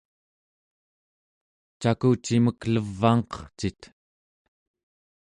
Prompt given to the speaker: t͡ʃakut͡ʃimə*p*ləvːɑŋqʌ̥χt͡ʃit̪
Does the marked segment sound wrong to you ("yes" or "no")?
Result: yes